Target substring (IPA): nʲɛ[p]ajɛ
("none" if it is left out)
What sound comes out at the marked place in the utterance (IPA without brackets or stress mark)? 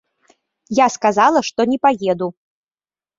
p